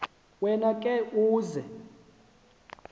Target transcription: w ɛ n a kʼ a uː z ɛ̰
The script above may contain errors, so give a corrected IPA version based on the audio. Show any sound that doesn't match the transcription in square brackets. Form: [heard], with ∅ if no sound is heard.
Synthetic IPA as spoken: w ɛ n a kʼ [ɛ] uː z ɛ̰